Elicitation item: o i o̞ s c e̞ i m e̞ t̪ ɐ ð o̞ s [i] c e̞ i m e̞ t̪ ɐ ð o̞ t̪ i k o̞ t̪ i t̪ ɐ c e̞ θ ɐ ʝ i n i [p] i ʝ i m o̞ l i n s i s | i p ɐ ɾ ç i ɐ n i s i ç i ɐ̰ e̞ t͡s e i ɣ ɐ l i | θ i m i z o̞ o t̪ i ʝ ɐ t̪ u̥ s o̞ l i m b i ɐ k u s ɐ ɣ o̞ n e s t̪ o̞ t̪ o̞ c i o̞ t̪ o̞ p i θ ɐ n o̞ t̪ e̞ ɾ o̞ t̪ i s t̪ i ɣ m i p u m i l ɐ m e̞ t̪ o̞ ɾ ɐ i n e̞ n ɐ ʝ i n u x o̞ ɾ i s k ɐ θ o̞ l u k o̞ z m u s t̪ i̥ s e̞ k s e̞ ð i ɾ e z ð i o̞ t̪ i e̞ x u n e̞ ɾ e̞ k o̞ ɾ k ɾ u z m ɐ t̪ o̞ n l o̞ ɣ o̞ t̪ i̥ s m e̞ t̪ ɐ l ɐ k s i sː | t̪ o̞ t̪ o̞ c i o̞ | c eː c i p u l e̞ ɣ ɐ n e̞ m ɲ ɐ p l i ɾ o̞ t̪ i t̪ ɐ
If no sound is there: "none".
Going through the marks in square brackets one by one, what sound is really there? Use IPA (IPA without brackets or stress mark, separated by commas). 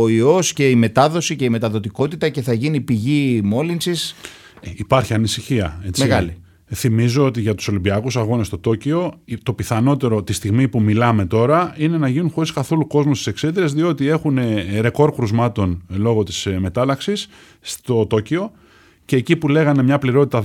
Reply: i, p